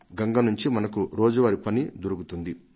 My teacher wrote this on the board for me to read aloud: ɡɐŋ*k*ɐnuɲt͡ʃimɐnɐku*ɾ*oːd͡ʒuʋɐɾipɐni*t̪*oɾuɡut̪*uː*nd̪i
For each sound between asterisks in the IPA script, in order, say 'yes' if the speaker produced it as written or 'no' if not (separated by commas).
no, yes, no, no